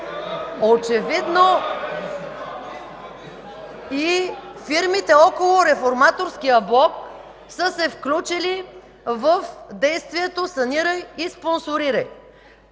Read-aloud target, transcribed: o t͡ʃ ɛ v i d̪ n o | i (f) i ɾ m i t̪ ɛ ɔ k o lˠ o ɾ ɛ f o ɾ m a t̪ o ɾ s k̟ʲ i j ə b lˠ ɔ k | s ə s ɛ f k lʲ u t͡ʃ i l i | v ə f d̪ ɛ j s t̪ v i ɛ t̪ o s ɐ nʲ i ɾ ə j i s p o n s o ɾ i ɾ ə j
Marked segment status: correct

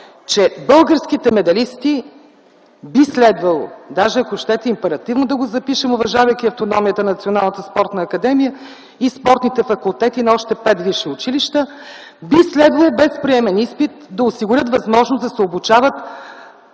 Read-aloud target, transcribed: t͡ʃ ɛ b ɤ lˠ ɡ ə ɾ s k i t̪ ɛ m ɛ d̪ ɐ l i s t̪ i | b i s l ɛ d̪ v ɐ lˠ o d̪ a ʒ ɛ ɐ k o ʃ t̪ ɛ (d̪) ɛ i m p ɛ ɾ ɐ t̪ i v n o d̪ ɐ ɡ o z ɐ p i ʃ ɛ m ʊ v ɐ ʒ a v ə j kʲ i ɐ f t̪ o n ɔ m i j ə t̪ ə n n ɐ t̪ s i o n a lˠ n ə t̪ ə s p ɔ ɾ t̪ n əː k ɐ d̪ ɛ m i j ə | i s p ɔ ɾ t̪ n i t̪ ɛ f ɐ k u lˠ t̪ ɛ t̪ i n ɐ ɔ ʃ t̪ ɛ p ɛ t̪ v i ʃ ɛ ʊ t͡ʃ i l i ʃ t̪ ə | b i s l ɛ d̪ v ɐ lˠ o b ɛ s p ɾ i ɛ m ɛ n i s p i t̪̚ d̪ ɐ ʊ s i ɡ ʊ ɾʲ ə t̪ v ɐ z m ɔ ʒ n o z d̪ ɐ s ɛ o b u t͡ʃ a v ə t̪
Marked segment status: incorrect: t̪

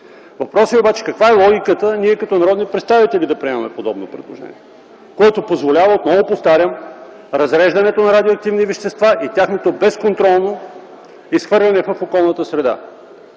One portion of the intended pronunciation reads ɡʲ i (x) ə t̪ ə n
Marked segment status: incorrect: k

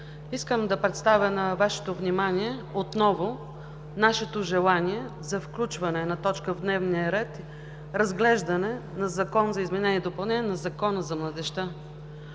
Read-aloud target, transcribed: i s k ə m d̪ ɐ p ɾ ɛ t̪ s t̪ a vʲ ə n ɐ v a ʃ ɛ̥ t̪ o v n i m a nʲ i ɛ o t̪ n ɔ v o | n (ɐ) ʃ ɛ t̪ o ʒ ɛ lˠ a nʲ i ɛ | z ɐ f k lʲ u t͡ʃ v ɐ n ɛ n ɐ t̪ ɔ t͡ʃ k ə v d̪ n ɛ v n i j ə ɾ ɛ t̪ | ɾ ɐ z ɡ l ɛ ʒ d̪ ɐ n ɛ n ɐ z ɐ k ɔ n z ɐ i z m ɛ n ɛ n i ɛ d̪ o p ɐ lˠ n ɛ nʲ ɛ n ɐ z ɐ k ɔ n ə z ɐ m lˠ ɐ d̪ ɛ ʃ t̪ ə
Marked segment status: incorrect: a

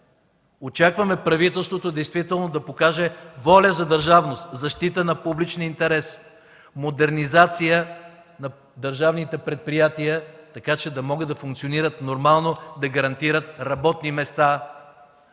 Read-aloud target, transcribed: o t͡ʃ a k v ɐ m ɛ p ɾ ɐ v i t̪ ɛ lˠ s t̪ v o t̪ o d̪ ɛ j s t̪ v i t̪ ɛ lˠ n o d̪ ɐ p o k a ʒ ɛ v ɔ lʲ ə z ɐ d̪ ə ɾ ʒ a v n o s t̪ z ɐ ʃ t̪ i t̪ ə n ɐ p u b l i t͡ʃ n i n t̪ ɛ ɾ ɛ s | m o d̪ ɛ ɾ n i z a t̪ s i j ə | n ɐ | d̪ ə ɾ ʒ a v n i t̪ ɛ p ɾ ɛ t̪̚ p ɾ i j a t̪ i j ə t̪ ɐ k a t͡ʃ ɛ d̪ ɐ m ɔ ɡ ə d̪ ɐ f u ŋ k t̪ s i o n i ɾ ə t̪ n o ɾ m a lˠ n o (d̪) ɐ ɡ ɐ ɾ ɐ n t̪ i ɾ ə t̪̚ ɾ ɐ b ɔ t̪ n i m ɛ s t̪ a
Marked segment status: correct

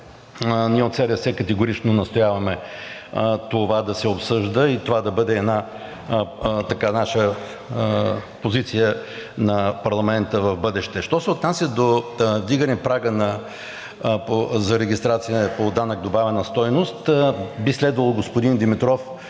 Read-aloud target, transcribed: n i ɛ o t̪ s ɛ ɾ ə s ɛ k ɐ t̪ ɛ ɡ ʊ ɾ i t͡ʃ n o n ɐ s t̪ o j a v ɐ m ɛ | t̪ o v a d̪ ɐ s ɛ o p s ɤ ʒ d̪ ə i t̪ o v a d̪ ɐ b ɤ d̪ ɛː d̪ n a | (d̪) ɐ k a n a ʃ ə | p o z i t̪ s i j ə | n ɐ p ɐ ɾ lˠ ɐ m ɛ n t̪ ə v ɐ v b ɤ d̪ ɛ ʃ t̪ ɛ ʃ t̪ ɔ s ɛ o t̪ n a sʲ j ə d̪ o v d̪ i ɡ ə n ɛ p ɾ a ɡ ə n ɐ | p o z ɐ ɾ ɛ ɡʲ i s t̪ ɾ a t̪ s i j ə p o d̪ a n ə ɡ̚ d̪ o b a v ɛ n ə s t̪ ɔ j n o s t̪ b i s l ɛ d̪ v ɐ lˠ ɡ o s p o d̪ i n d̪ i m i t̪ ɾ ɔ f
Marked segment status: incorrect: t̪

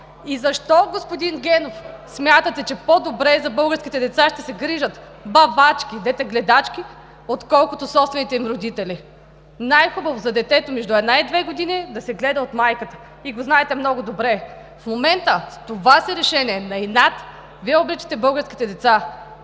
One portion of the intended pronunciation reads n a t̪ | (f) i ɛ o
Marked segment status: incorrect: v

